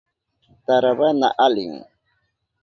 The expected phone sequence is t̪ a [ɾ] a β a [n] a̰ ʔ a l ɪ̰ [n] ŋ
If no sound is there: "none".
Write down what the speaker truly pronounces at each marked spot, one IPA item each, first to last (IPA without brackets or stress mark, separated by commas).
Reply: ɾ, n, none